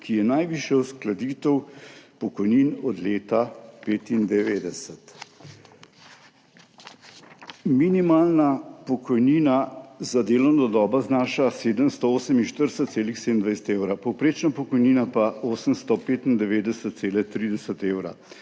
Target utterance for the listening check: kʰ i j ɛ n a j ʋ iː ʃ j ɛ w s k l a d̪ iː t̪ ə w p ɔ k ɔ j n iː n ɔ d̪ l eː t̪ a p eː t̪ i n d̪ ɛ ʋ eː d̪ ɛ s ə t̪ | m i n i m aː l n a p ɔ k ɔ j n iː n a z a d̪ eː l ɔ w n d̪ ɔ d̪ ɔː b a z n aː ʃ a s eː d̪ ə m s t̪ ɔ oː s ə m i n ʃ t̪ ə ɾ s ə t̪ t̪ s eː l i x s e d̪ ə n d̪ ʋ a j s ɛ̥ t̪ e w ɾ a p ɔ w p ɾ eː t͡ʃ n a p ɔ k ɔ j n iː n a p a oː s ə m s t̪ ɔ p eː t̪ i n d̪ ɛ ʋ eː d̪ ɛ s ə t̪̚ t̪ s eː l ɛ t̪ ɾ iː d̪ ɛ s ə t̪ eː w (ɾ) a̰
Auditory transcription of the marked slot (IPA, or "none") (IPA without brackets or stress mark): ɾ